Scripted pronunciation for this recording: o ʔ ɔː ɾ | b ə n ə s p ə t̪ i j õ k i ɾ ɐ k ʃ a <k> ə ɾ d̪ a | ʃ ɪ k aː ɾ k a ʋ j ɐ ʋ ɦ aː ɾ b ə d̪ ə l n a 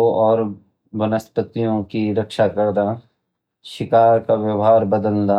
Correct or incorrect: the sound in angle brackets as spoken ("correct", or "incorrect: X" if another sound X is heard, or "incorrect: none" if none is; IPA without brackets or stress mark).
correct